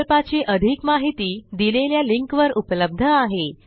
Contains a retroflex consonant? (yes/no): no